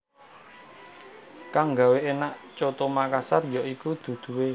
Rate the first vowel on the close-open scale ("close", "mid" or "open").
open